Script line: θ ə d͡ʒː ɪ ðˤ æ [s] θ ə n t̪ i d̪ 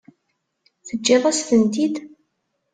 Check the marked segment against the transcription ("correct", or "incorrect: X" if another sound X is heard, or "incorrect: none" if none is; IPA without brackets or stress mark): correct